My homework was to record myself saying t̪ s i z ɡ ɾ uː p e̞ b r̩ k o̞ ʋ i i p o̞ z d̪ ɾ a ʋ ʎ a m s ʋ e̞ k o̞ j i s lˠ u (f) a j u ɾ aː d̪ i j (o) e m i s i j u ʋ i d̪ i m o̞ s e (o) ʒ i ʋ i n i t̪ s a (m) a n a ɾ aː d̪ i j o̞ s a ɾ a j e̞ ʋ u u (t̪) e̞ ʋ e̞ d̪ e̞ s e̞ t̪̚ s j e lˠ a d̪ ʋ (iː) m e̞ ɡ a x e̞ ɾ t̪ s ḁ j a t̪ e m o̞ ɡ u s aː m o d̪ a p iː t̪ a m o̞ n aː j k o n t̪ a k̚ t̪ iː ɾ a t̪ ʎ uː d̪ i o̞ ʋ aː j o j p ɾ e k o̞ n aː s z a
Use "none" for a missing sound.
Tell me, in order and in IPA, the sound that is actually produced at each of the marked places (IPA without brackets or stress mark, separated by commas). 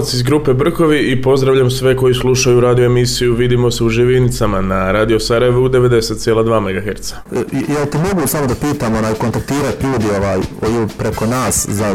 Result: ʃ, o, u, m, d̪, aː